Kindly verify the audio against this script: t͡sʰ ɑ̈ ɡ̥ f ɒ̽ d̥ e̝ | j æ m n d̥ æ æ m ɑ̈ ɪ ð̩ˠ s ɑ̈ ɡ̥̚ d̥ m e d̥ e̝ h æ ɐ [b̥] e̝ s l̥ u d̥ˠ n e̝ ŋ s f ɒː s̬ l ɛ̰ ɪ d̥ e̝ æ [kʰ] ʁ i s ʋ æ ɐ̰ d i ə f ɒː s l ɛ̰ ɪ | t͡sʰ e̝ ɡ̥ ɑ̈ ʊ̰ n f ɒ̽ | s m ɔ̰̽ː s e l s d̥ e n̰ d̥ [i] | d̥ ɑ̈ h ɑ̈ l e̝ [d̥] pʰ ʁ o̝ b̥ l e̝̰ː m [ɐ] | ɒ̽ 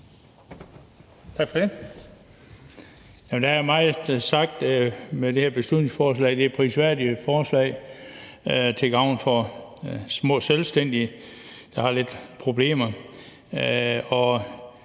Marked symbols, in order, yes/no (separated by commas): yes, no, yes, yes, yes